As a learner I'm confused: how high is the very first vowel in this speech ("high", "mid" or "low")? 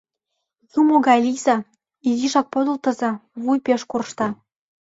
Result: high